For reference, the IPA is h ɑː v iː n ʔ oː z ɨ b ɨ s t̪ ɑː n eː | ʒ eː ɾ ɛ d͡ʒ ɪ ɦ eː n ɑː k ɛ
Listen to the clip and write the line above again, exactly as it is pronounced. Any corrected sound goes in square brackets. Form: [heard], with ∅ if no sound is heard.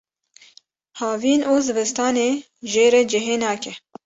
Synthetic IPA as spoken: h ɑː v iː n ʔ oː z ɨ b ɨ s t̪ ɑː n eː | ʒ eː ɾ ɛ d͡ʒ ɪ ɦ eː n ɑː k ɛ